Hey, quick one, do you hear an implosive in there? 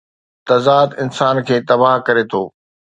no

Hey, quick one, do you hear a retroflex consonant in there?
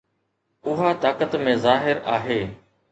no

